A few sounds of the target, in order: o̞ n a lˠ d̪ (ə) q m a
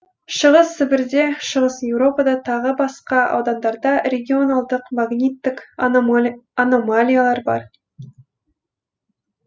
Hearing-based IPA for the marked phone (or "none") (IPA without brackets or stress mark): ə